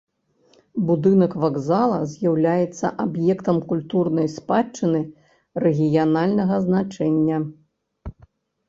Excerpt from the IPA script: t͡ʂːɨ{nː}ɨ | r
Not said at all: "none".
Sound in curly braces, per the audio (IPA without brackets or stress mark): n